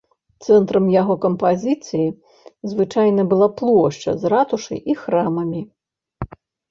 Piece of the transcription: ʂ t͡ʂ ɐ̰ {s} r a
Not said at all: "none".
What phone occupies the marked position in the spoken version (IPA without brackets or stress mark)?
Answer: z